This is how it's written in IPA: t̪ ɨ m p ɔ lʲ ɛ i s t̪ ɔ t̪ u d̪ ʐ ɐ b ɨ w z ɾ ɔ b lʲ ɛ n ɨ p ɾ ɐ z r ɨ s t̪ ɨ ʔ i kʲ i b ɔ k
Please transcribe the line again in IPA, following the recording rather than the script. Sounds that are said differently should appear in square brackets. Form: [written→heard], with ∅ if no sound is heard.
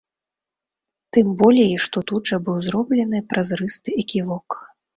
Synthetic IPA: t̪ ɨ m [p→b] ɔ lʲ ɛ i [s→ʂ] t̪ ɔ t̪ u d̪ ʐ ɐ b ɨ w z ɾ ɔ b lʲ ɛ n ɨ p ɾ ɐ z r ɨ s t̪ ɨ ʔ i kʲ i [b→v] ɔ k